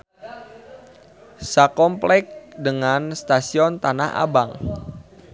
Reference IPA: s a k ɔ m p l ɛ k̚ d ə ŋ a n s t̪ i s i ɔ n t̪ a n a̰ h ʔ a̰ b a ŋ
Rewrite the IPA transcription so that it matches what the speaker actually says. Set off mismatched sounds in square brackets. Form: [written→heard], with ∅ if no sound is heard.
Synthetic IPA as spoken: s a k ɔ m p l ɛ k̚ d ə ŋ a n s t̪ [i→a] s i ɔ n t̪ a n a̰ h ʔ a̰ b a ŋ